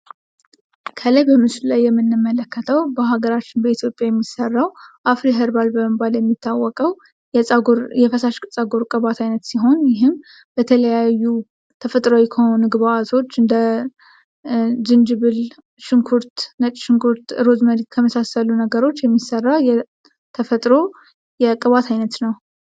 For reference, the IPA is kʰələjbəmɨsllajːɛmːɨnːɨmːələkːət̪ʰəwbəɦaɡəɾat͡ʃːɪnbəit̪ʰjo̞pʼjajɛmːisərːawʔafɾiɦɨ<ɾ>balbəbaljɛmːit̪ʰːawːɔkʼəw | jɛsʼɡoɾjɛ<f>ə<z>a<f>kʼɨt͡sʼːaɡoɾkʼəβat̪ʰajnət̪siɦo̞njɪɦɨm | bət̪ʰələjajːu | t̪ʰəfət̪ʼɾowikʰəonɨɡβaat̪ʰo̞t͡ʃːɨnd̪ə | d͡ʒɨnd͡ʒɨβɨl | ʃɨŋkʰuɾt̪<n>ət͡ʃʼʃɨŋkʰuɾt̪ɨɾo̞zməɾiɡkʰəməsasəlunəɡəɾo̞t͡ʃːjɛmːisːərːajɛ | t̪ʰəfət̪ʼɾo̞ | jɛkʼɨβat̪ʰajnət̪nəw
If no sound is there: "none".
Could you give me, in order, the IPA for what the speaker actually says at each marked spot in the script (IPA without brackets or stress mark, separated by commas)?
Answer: ɾ, f, s, ʃ, n